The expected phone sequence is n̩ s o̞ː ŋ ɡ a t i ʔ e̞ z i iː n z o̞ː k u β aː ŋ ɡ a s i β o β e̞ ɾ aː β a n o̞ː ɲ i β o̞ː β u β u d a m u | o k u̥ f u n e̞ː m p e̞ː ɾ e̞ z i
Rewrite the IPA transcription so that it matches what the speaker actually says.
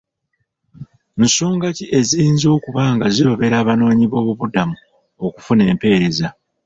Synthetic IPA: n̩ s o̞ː ŋ ɡ a c i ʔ e̞ z i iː n z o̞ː k u β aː ŋ ɡ a z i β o β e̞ ɾ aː β a n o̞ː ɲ i β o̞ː β u β u d a m u | o k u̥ f u n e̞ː m p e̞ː ɾ e̞ z a

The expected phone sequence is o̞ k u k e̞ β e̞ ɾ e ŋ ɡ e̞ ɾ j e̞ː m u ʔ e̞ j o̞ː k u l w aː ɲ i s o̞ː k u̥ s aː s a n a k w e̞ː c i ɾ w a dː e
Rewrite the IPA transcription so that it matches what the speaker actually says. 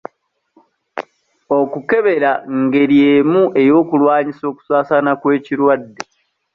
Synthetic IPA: o̞ k u k e̞ β e̞ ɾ a ŋ ɡ e̞ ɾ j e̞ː m u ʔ e̞ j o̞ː k u l w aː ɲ i s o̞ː k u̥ s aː s a n a k w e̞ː c i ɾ w a dː e

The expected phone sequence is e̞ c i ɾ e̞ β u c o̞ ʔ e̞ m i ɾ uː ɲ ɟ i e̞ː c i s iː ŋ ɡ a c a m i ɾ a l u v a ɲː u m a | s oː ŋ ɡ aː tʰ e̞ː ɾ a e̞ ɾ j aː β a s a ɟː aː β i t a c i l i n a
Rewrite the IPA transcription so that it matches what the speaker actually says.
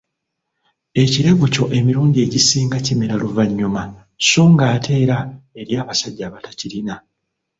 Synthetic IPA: e̞ c i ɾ e̞ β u c o̞ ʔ e̞ m i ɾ uː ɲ ɟ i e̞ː ɟ i s iː ŋ ɡ a c i m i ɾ a l u v a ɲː u m a | s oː ŋ ɡ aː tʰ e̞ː ɾ a e̞ ɾ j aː β a s a ɟː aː β a t a c i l i n a

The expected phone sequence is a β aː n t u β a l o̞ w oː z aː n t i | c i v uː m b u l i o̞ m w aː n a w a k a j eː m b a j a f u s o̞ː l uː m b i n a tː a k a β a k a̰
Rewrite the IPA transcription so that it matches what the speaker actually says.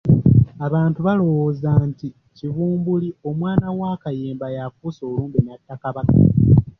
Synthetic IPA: a β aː n t u β a l o̞ w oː z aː n t i | c i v uː m b u l i o̞ m w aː n a w a k a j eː m b a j a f u s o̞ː l uː m b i n a tː a k a β a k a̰

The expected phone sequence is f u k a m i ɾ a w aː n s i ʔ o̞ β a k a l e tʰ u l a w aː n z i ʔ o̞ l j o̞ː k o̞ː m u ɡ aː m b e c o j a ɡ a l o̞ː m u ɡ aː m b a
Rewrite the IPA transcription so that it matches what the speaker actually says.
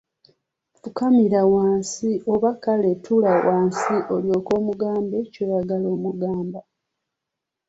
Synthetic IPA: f u k a m i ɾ a w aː n s i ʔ o̞ β a k a l e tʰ u l a w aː n s i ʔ o̞ l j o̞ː k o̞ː m u ɡ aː m b e c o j a ɡ a l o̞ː m u ɡ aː m b a

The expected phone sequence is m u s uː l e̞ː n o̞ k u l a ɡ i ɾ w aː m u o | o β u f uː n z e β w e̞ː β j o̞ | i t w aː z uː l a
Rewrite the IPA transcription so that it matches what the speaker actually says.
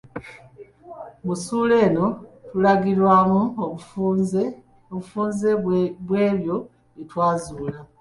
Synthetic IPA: m u s uː l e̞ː n o̞ t u l a ɡ i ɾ w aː m u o | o β u f uː n z e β w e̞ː β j o̞ | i t w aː z uː l a

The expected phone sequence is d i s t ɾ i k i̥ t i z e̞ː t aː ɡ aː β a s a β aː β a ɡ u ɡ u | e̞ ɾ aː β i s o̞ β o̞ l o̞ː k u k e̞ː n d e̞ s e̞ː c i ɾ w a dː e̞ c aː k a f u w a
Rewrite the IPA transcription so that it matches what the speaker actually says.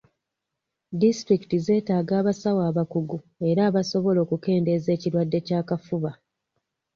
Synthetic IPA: d i s t ɾ i k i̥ t i z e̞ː t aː ɡ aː β a s a w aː β a k u ɡ u | e̞ ɾ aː β a s o̞ β o̞ l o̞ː k u k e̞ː n d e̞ z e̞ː c i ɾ w a dː e̞ c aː k a f u β a

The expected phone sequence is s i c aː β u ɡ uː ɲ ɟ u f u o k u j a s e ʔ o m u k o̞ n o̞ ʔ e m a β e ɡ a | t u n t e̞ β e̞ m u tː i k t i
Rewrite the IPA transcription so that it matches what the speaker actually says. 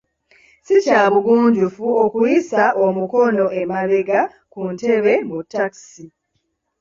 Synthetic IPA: s i c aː β u ɡ uː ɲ ɟ u f u o k u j i s a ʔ o m u k o̞ n o̞ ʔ e m a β e ɡ a | k u n t e̞ β e̞ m u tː a k s i

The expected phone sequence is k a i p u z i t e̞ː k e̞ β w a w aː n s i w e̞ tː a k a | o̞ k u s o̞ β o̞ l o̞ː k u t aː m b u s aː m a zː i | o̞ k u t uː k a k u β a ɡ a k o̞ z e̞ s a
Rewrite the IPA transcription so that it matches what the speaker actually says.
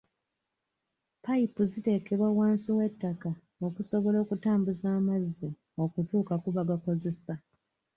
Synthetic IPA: p a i p u z i t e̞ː k e̞ β w a w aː n s i w e̞ tː a k a | o̞ k u s o̞ β o̞ l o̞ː k u t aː m b u z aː m a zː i | o̞ k u t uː k a k u β a ɡ a k o̞ z e̞ s a

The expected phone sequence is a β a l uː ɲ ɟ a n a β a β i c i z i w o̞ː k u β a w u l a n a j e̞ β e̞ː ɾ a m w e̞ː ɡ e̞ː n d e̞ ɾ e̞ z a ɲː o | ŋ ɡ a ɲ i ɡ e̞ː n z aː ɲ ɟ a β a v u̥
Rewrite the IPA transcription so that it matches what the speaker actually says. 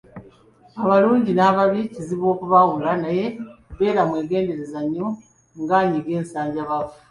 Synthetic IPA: a β a l uː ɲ ɟ i n a β a β i c i z i β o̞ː k u β a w u l a n a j e̞ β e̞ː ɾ a m w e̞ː ɡ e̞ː n d e̞ ɾ e̞ z a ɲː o | ŋ ɡ a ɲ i ɡ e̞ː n s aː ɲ ɟ a β a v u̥

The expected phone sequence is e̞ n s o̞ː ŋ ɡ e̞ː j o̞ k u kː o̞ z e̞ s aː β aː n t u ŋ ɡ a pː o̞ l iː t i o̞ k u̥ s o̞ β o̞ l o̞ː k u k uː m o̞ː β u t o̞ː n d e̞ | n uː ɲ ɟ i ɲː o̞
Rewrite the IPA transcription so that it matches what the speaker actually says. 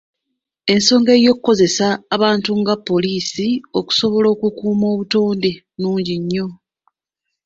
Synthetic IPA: e̞ n s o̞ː ŋ ɡ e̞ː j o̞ k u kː o̞ z e̞ s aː β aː n t u ŋ ɡ a pː o̞ l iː s i o̞ k u̥ s o̞ β o̞ l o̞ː k u k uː m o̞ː β u t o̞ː n d e̞ | n uː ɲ ɟ i ɲː o̞

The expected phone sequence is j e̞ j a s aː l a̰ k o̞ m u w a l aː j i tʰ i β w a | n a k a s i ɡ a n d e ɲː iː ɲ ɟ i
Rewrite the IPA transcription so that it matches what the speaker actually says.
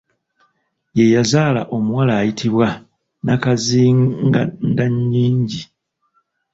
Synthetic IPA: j e̞ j a z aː l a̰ ʔ o̞ m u w a l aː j i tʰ i β w a | n a k a z i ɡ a n d a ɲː iː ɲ ɟ i

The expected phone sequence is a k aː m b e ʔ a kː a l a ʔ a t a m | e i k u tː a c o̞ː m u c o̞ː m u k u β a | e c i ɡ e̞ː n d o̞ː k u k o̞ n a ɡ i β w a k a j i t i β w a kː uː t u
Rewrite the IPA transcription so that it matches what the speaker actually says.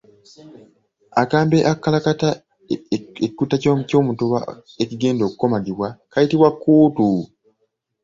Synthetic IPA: a k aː m b e ʔ a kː a l a k a t a | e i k u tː a c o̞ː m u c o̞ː m u t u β a | e c i ɡ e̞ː n d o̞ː k u k o̞ m a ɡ i β w a k a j i t i β w a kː uː t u

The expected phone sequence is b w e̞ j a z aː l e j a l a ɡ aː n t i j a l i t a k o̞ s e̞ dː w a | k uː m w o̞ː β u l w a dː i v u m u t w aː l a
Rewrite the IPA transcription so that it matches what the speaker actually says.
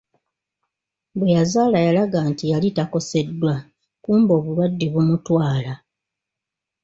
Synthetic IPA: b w e̞ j a z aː l a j a l a ɡ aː n t i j a l i t a k o̞ s e̞ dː w a | k uː m b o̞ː β u l w a dː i β u m u t w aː l a

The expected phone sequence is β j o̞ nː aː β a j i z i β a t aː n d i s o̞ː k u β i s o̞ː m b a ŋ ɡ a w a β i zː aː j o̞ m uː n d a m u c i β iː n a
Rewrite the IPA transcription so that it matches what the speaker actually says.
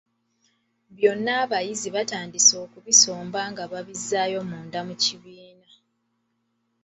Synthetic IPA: β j o̞ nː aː β a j i z i β a t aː n d i s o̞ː k u β i s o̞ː m b a ŋ ɡ a β a β i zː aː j o̞ m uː n d a m u c i β iː n a

